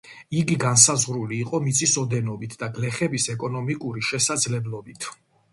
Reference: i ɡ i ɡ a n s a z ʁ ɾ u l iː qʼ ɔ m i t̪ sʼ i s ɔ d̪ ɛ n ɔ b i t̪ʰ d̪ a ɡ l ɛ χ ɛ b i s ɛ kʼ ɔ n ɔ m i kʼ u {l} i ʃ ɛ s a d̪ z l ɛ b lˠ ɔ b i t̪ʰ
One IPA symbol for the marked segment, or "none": ɾ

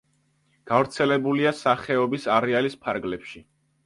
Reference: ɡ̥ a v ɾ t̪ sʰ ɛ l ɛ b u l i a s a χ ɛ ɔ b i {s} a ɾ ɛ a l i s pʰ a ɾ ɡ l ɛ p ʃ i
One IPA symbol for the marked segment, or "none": s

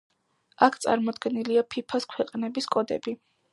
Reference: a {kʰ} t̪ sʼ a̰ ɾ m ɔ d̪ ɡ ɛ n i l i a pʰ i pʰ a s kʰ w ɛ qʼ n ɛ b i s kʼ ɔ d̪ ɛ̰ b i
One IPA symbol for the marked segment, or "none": kʰ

